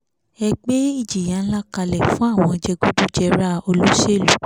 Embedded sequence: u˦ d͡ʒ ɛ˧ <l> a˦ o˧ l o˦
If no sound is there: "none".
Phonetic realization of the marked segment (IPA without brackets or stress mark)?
ɾ